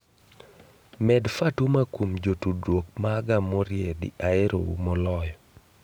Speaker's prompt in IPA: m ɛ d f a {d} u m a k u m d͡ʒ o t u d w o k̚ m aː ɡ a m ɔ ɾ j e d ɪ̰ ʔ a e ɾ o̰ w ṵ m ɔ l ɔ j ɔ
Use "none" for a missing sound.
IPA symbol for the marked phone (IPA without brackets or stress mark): t